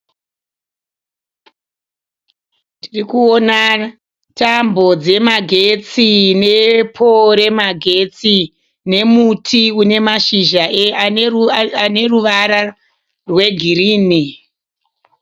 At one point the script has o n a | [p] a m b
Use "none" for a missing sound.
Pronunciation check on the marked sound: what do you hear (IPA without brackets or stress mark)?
t